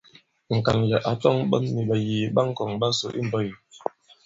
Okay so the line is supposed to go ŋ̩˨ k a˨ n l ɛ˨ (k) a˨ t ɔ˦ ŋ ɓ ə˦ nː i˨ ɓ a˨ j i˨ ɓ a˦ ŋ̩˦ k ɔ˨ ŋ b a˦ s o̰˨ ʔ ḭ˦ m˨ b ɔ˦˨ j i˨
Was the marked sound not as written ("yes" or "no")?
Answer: yes